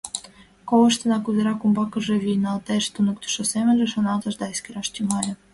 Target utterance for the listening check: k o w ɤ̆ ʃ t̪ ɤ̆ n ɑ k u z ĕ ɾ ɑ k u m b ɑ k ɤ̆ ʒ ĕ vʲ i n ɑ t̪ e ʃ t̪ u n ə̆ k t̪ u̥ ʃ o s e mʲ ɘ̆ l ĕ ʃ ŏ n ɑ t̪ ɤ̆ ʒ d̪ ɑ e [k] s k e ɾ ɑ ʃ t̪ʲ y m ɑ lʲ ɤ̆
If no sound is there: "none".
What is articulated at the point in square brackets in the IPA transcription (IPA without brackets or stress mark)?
none